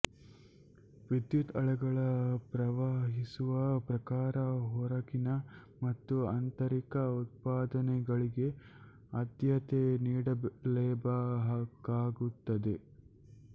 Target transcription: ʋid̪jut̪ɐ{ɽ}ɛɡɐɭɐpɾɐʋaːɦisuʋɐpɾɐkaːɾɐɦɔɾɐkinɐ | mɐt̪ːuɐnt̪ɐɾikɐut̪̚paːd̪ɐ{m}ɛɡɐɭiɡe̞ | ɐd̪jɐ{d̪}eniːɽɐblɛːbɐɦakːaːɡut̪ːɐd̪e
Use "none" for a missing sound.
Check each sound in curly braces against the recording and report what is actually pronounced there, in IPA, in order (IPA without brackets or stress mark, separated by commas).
ɭ, n, t̪